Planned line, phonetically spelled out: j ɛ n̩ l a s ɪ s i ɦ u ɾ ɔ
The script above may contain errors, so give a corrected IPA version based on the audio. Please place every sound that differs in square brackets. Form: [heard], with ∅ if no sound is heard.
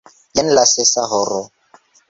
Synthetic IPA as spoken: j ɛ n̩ l a s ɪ s [a] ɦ [ɔ] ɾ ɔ